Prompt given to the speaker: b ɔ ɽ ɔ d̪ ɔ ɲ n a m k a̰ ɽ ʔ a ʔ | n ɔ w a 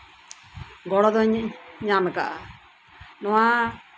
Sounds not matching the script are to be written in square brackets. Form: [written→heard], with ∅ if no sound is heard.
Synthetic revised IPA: [b→ɡ] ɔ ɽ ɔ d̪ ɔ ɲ [n→ɲ] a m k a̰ [ɽ→∅] ʔ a [ʔ→∅] | n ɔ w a